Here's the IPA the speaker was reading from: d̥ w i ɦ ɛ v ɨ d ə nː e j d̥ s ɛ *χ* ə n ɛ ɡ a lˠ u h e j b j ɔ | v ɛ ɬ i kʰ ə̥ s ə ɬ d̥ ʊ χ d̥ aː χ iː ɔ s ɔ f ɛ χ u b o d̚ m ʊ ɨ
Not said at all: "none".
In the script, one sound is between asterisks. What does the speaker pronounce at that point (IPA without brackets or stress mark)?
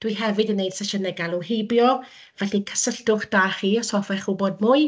ʃ